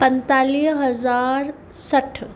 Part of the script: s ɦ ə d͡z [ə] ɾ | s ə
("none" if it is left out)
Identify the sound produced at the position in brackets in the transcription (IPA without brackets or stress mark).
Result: a